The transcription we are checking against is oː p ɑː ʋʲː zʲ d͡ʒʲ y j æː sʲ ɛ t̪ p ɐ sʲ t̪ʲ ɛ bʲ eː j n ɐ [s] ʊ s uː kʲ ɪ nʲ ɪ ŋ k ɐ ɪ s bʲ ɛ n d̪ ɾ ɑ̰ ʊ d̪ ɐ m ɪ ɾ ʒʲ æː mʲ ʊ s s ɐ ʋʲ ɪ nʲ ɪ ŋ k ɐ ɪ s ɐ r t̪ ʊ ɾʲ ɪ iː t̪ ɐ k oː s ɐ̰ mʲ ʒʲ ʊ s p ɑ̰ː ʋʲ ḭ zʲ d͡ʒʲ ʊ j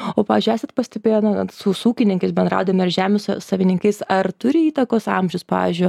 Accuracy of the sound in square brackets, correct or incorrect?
correct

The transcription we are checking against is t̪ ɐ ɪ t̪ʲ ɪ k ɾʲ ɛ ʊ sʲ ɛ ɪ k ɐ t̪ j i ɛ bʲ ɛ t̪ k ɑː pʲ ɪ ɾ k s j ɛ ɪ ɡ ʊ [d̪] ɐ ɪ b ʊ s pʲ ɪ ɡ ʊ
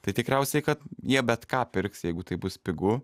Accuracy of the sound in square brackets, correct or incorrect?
incorrect: t̪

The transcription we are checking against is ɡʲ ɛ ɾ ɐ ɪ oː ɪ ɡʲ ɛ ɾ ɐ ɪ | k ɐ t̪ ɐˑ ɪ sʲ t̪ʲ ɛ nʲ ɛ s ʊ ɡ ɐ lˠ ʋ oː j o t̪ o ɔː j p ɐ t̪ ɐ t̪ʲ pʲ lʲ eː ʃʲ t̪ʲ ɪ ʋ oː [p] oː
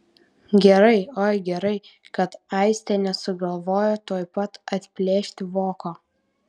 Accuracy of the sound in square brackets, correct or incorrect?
incorrect: k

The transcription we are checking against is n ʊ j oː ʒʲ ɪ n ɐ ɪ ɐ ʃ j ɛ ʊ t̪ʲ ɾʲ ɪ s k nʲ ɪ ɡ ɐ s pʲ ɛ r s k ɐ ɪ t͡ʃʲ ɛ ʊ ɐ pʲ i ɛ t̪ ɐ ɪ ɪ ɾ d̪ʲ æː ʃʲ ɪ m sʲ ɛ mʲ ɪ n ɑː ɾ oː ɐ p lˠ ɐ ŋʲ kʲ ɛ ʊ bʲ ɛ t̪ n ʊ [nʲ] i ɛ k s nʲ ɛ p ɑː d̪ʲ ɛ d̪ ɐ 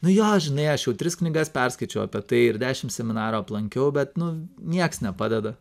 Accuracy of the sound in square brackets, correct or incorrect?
correct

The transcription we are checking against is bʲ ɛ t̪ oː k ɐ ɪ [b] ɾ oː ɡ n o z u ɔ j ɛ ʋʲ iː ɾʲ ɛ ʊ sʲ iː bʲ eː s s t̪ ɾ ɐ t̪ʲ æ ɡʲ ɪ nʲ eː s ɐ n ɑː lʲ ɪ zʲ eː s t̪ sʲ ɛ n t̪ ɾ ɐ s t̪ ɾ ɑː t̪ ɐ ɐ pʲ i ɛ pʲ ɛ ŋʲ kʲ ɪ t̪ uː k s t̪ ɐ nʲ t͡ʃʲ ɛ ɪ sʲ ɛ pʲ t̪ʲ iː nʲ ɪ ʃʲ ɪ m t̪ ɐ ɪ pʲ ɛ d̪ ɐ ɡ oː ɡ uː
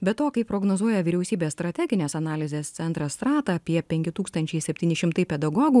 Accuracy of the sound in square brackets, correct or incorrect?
incorrect: p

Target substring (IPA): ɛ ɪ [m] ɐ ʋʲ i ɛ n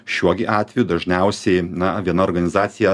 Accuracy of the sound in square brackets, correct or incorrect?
incorrect: n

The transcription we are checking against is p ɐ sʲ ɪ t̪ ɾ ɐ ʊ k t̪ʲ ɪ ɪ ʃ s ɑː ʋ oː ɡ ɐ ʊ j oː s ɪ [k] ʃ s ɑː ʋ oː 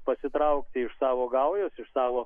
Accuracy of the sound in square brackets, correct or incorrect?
incorrect: none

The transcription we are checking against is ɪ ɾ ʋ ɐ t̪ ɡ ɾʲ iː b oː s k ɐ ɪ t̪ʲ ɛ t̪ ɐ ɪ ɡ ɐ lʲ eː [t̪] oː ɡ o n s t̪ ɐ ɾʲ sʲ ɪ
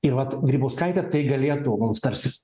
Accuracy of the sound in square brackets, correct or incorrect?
correct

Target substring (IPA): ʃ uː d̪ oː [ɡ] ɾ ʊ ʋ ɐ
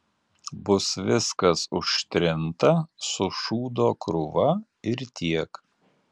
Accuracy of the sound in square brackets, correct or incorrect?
incorrect: k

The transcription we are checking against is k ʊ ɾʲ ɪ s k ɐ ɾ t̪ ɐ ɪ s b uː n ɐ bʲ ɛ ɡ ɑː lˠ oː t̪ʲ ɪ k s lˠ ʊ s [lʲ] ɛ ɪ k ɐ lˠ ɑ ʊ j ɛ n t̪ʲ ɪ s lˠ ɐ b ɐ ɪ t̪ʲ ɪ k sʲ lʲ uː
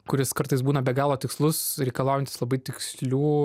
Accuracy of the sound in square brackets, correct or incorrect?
incorrect: ɾʲ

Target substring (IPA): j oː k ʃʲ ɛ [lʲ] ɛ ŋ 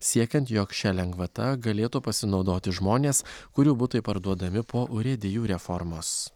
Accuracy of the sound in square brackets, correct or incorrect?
correct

